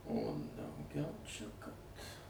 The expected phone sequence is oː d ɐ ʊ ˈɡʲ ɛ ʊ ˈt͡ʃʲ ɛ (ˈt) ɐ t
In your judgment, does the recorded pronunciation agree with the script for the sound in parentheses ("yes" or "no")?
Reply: no